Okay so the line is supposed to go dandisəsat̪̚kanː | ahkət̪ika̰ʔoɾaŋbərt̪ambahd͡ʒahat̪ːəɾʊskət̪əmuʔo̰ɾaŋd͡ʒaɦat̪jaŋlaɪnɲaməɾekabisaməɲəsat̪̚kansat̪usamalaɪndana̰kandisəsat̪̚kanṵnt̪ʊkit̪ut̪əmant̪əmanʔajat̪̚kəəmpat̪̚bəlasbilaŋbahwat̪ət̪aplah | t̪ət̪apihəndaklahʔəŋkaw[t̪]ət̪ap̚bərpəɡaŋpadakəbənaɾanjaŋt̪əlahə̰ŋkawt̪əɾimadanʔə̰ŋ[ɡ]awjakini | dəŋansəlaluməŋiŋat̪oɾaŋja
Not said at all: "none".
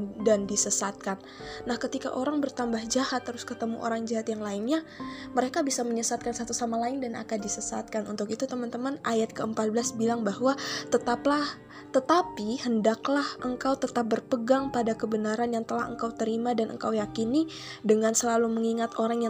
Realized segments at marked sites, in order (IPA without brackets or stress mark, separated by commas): t̪, k